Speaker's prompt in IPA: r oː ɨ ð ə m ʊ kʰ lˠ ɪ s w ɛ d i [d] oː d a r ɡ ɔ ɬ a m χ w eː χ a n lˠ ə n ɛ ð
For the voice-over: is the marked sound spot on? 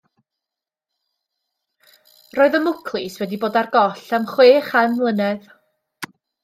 no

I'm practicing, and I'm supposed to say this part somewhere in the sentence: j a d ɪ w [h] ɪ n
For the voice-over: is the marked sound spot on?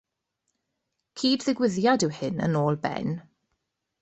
yes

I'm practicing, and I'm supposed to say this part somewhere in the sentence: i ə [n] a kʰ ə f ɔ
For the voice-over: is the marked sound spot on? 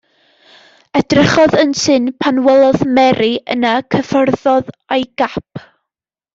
yes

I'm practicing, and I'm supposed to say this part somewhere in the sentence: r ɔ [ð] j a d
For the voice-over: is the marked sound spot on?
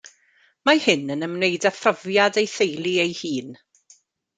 no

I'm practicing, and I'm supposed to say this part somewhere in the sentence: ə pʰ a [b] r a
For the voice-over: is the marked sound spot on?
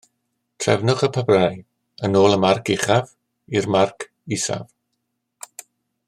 yes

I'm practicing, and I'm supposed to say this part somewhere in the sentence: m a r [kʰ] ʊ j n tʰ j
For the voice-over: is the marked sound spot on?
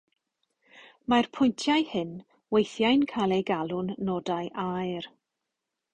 no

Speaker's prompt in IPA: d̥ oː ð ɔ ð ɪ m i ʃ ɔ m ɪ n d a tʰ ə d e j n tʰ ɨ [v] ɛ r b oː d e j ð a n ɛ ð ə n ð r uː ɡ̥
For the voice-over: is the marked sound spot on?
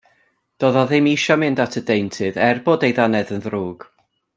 no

